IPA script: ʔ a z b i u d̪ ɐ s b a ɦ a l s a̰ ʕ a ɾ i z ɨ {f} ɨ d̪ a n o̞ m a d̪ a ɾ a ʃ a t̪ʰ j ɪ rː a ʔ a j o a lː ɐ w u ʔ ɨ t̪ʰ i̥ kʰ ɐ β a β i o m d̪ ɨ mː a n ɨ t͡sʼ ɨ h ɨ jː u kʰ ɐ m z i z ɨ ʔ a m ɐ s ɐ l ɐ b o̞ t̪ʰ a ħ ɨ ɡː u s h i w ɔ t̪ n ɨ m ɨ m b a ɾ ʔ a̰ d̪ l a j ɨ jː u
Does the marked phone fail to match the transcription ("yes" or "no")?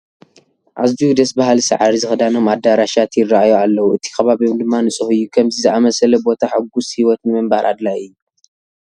yes